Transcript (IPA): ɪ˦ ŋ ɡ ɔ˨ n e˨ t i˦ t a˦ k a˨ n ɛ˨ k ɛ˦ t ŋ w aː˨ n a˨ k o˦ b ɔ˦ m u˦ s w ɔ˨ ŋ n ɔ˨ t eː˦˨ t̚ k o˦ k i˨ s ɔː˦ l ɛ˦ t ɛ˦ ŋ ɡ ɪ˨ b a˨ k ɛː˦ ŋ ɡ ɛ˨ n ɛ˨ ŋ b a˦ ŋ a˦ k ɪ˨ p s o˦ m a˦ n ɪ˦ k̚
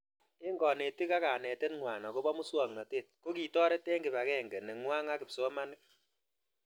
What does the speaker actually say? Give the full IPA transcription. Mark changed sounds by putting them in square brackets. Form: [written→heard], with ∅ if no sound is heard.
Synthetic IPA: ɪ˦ ŋ ɡ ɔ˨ n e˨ t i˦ [t→k] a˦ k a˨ n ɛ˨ [k→t] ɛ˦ t ŋ w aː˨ n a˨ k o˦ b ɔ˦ m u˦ s w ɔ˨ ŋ n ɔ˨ t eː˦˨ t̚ k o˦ k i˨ [s→t] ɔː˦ [l→ɾ] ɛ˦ t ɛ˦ ŋ ɡ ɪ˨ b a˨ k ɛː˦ ŋ ɡ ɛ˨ n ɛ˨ ŋ [b→w] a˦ ŋ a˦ k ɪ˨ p s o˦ m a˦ n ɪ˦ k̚

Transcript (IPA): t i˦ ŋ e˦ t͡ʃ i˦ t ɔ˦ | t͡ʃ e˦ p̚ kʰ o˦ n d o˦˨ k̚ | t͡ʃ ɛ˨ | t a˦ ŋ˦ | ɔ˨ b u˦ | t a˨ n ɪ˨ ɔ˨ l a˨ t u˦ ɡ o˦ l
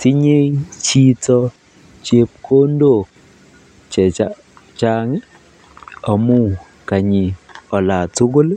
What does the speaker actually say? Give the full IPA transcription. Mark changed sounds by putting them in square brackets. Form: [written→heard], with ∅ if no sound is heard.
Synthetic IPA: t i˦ [ŋ→ɲ] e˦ t͡ʃ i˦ t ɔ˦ | t͡ʃ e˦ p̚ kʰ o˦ n d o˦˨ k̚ | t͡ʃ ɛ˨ | [t→t͡ʃ] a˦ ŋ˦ | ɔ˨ [b→m] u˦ | [t→k] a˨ [n→ɲ] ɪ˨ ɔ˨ l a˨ t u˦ ɡ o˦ l

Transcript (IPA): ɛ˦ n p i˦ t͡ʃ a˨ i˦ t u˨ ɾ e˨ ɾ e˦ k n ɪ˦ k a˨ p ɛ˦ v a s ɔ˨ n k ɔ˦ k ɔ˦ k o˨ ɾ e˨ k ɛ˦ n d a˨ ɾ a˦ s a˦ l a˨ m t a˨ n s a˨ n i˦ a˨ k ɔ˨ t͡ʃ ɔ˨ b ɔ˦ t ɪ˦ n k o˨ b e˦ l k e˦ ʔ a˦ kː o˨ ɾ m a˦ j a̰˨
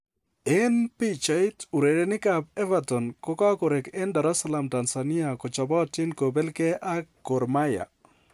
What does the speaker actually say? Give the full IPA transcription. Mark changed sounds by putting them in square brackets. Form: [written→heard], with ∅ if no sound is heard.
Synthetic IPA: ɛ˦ n p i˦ t͡ʃ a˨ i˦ t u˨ ɾ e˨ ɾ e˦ [k→∅] n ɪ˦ k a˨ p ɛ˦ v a [s→t] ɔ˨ n k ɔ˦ k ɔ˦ k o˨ ɾ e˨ k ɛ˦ n d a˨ ɾ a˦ s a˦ l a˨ m t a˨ n s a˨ n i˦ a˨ k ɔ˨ t͡ʃ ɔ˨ b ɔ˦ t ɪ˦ n k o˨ b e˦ l k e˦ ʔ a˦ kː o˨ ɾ m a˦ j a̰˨

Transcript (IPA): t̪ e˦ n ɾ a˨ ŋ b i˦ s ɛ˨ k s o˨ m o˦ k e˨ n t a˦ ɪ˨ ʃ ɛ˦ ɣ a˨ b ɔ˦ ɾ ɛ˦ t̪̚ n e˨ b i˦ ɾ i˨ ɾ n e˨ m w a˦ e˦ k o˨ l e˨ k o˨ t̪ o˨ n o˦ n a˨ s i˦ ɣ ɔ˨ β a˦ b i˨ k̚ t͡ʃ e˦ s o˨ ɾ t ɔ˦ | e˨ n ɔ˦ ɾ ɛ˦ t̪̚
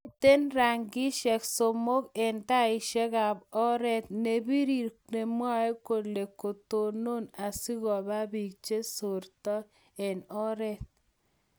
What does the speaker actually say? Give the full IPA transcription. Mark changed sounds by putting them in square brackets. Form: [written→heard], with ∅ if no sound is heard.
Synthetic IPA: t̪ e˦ n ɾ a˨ ŋ [b→ɡ] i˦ [s→ʃ] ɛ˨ k s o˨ m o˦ k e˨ n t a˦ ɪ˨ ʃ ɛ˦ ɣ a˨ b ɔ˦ ɾ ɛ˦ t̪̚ n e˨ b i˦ ɾ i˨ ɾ n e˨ m w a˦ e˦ k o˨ l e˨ k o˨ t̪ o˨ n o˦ n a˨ s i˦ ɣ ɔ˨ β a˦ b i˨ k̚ t͡ʃ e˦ s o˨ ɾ t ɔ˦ | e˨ n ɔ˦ ɾ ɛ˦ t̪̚

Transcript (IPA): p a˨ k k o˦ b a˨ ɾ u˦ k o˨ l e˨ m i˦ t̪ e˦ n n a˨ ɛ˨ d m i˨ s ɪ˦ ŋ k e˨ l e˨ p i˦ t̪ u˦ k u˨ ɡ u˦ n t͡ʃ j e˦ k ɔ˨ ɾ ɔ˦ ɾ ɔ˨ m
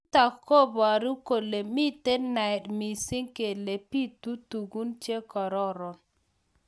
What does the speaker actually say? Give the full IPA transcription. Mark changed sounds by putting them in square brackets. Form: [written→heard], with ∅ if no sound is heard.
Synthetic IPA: [p→t] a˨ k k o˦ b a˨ ɾ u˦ k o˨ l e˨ m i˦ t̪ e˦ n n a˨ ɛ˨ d m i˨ s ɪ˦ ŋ k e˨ l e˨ p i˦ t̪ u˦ [k→t] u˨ ɡ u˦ n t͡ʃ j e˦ k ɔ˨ ɾ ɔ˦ ɾ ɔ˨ [m→n]

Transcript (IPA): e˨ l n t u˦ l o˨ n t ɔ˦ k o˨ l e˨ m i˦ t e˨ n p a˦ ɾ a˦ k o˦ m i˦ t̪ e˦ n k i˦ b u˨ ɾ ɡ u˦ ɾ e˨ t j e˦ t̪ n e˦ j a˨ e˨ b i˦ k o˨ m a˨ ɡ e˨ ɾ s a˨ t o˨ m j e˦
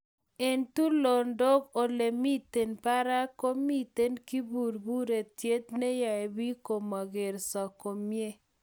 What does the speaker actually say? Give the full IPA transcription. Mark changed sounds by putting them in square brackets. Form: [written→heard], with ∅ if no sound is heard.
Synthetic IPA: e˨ [l→∅] n t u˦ l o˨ n [t→d] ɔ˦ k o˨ l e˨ m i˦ t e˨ n p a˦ ɾ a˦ k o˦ m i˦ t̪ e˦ n k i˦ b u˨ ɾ [ɡ→b] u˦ ɾ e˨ t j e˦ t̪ n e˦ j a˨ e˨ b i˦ k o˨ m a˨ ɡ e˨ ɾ s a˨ [t→k] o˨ m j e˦

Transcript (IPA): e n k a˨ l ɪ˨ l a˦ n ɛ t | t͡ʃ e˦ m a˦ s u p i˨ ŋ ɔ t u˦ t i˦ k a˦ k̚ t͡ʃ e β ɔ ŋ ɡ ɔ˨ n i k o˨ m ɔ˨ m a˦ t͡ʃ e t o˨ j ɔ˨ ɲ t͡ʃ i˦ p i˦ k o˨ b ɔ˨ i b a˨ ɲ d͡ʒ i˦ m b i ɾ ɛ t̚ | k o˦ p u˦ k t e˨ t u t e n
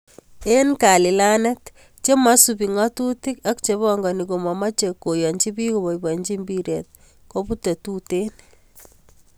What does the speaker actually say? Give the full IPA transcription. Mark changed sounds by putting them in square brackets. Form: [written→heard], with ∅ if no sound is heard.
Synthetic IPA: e n k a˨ l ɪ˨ l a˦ n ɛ t | t͡ʃ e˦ m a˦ s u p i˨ ŋ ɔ t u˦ t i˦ k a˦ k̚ t͡ʃ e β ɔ ŋ ɡ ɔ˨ n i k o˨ m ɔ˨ m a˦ t͡ʃ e [t→k] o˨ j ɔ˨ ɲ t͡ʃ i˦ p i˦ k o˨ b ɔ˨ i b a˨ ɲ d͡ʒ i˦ m b i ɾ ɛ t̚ | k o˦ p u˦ [k→∅] t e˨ t u t e n

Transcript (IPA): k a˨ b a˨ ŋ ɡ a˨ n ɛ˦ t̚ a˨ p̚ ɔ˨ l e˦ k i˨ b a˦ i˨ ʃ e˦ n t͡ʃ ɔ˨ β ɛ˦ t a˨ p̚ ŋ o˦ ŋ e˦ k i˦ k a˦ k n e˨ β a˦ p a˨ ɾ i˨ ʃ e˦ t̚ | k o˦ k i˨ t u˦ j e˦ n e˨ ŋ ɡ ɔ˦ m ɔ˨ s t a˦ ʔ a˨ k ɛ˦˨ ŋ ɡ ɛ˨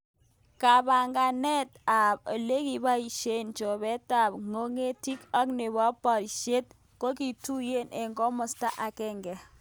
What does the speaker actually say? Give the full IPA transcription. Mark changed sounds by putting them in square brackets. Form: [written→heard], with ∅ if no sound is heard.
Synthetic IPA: k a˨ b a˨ ŋ ɡ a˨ n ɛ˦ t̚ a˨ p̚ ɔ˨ l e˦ k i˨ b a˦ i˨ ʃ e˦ n t͡ʃ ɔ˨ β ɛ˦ t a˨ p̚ ŋ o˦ ŋ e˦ [k→t] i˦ k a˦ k n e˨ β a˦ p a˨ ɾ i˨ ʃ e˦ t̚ | k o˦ k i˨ t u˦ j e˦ n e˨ ŋ ɡ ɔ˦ m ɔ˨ s t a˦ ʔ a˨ k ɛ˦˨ ŋ ɡ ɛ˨

